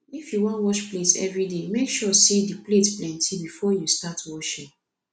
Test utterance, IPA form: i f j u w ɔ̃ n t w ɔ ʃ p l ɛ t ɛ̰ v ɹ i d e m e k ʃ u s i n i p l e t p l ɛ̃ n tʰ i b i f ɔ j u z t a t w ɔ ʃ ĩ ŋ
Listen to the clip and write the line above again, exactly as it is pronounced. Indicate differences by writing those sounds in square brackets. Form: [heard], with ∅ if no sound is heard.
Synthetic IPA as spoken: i f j u w ɔ̃ n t w ɔ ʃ p l [e] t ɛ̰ v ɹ i d e m e k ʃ [ɔ] s i [d] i p l e t p l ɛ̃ n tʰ i b i f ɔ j u [s] t a t w ɔ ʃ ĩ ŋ